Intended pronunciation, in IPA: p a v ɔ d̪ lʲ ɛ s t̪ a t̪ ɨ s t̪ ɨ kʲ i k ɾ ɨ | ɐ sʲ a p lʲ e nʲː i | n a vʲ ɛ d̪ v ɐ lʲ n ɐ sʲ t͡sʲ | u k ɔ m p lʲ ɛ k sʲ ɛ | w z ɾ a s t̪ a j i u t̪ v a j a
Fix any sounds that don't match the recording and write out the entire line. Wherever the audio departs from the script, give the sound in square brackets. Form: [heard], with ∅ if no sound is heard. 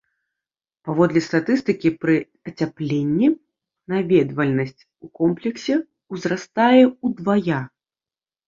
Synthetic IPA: p a v ɔ d̪ lʲ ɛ s t̪ a t̪ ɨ s t̪ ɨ kʲ i [p] ɾ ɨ | ɐ [t͡sʲ] a p lʲ e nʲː i | n a vʲ ɛ d̪ v ɐ lʲ n ɐ sʲ t͡sʲ | u k ɔ m p lʲ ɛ k sʲ ɛ | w z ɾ a s t̪ a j [ɛ] u [d̪] v a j a